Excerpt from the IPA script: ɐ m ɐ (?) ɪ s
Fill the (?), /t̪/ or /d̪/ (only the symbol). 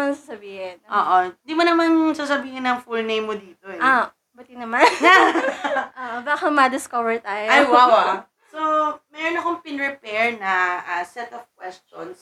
d̪